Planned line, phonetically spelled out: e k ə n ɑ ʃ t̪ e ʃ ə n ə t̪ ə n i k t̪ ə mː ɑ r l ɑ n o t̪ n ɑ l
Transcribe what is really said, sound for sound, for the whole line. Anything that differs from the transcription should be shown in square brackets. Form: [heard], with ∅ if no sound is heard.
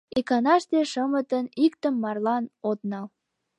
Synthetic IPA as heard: e k [ɑ] n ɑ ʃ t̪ e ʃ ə [m] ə t̪ ə n i k t̪ ə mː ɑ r l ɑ n o t̪ n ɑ l

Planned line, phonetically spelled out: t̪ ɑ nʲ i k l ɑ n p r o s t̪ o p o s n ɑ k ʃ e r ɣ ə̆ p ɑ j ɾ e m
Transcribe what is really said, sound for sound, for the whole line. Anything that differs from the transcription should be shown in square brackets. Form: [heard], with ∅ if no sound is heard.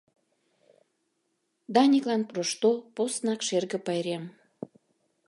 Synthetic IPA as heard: [d̪] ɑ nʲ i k l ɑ n p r o [ʃ] t̪ o p o s n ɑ k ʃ e r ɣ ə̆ p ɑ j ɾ e m

